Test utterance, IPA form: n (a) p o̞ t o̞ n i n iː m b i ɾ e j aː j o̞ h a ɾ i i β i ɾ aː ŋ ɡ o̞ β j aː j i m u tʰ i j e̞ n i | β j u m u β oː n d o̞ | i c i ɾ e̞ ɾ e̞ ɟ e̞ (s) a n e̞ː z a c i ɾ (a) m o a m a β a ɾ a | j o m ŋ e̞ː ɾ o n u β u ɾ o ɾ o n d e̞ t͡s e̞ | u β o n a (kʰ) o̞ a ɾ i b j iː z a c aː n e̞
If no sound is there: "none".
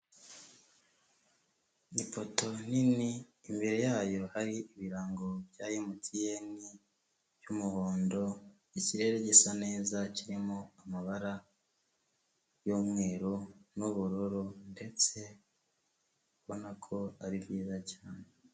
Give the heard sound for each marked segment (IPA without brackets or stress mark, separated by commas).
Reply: i, s, i, kʰ